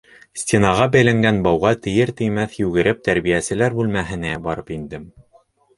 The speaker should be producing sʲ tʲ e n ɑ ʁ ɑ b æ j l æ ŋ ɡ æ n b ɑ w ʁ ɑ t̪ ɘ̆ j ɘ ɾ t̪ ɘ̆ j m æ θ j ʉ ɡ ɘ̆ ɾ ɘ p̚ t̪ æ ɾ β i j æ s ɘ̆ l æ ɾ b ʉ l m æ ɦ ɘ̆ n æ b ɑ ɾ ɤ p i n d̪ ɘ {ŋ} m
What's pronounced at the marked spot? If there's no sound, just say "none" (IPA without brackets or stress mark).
none